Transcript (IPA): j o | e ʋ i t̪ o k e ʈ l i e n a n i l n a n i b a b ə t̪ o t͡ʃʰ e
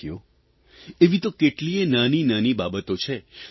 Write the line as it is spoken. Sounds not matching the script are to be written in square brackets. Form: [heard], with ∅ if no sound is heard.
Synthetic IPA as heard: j o | e ʋ i t̪ o k e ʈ l i e n a n i [∅] n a n i b a b ə t̪ o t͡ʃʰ e